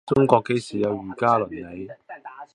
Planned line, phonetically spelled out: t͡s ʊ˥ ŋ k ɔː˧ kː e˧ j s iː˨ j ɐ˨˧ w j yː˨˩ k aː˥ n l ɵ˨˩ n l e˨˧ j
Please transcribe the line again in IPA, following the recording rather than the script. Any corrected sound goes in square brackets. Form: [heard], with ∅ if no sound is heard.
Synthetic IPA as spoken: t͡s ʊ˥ ŋ k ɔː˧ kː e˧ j s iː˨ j ɐ˨˧ w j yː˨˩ k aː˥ [∅] l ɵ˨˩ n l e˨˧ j